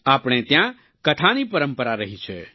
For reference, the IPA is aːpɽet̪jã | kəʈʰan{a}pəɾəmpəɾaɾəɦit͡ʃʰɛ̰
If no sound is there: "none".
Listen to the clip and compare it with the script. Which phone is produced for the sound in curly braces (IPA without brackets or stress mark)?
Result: i